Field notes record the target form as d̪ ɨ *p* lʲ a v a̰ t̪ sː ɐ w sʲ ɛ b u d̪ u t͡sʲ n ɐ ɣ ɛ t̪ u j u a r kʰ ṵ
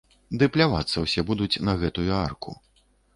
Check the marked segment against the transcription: correct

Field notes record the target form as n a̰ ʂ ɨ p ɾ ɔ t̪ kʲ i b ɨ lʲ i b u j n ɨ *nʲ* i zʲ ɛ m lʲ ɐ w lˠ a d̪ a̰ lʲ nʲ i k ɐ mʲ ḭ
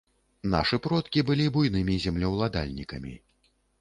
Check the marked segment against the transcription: incorrect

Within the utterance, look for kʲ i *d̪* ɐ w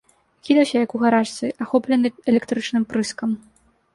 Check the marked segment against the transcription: correct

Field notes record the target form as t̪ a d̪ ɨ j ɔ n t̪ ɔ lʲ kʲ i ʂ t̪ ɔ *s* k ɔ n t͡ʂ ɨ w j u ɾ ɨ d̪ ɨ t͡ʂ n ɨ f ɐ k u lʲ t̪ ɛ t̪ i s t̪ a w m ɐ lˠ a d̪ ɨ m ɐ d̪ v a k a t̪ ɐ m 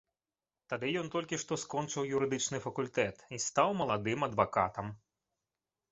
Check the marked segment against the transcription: correct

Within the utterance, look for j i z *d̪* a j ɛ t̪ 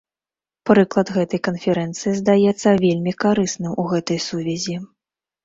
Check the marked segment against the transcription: correct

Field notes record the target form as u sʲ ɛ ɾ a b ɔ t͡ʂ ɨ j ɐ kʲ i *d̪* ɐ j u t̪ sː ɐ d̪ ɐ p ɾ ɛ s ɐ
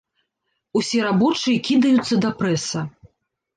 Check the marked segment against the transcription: correct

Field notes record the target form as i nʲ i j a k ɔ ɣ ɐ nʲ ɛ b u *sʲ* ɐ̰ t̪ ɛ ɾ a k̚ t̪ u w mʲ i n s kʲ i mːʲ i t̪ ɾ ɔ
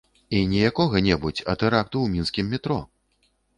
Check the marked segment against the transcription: incorrect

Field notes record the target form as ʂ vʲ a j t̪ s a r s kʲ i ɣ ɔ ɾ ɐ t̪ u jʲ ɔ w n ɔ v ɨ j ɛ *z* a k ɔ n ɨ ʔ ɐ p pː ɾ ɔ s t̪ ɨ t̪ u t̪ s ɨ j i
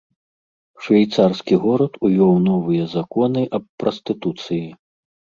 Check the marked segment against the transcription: correct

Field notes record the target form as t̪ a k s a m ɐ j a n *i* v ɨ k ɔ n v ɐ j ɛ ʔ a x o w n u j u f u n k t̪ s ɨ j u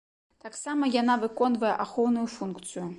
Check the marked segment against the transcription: incorrect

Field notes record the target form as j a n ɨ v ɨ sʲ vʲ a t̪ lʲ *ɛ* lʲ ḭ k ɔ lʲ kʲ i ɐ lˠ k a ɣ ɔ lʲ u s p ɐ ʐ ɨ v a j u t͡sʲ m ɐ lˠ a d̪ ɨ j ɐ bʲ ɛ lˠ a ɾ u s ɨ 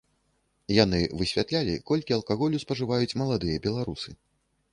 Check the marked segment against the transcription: incorrect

